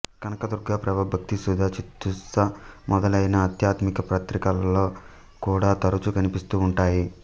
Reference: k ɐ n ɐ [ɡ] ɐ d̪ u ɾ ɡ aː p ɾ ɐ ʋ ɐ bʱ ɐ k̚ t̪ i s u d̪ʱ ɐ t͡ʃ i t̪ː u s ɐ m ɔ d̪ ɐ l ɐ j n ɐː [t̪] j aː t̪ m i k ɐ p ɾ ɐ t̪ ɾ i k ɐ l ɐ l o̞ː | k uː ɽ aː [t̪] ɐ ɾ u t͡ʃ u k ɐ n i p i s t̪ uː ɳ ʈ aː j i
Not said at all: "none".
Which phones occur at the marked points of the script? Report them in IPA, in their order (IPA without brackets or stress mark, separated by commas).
k, t̪, t̪